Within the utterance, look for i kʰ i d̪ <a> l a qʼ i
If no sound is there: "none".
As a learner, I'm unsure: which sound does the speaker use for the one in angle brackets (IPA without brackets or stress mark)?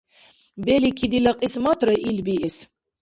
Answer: i